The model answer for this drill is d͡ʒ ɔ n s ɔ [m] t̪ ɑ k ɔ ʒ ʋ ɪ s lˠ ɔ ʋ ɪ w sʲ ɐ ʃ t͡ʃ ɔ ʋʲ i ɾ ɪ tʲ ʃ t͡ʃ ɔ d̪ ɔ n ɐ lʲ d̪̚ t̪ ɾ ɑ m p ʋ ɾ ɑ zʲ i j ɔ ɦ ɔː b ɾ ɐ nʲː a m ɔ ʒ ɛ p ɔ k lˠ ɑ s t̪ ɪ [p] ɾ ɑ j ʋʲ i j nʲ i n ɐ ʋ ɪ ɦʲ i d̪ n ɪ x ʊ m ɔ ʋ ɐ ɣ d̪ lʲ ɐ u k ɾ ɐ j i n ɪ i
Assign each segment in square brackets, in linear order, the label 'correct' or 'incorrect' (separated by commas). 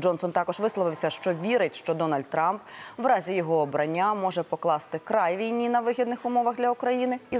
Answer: incorrect, incorrect